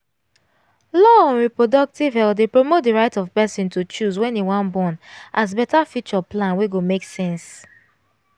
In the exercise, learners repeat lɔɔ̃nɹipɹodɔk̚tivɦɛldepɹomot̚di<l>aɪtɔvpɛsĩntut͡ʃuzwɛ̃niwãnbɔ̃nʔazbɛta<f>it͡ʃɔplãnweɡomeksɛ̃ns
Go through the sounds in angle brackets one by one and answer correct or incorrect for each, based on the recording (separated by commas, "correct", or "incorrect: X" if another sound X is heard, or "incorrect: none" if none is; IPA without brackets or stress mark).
incorrect: ɹ, correct